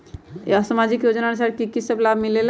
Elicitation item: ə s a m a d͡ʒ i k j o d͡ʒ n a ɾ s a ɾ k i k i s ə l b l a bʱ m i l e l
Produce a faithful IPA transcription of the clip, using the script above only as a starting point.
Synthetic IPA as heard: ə s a m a d͡ʒ i k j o d͡ʒ n a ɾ s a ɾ k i k i s ə b l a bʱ m i l e l

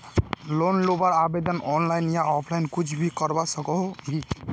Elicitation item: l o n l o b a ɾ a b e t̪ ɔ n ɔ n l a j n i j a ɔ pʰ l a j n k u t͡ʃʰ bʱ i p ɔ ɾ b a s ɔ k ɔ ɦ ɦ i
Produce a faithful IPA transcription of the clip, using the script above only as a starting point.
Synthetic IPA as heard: l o n l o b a ɾ a b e d̪ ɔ n ɔ n l a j n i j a ɔ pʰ l a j n k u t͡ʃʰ bʱ i k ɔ ɾ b a s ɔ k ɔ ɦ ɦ i

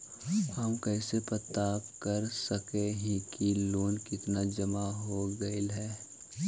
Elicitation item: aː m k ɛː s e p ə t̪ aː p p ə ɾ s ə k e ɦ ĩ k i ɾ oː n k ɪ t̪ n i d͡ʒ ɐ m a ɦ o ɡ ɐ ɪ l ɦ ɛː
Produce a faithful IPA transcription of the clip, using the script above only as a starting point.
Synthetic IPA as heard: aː m k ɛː s e p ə t̪ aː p k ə ɾ s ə k e ɦ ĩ k i l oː n k ɪ t̪ n a d͡ʒ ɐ m a ɦ o ɡ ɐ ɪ l ɦ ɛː

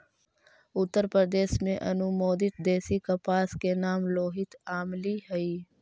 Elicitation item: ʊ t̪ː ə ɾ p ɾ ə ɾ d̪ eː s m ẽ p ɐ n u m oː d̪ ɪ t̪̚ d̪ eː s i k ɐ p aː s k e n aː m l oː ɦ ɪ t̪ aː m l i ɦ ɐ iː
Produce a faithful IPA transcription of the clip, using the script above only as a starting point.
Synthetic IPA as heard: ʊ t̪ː ə ɾ p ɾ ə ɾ d̪ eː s m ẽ ʔ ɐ n u m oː d̪ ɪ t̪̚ d̪ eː s i k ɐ p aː s k e n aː m l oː ɦ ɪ t̪ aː m l i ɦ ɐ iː

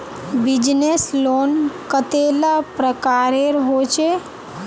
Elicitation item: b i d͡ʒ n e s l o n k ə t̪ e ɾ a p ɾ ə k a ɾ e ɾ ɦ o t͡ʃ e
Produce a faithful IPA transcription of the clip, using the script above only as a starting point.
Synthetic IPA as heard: b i d͡ʒ n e s l o n k ə t̪ e l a p ɾ ə k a ɾ e ɾ ɦ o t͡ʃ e

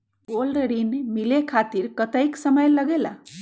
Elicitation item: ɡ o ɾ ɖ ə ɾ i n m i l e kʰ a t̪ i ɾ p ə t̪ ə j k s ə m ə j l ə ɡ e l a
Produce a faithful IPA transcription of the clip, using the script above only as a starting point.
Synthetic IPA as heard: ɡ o l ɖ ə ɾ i n m i l e kʰ a t̪ i ɾ k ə t̪ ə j k s ə m ə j l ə ɡ e l a

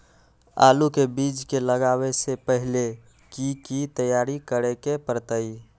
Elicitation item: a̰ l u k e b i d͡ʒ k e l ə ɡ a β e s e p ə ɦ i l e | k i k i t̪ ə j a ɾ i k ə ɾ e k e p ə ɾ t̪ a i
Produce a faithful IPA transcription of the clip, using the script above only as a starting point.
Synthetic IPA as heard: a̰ l u k e b i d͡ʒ k e l ə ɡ a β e s e p ə ɦ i l e | k i k i t̪ ə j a ɾ i k ə ɾ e k e p ə ɾ t̪ ə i

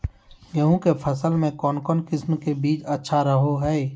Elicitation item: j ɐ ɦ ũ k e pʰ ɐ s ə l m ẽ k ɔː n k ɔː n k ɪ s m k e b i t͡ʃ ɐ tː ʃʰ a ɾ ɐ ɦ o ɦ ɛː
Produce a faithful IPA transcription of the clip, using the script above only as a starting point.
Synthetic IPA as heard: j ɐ ɦ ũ k e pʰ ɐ s ə l m ẽ k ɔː n k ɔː n k ɪ s m k e b iː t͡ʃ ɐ tː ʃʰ a ɾ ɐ ɦ o ɦ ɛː

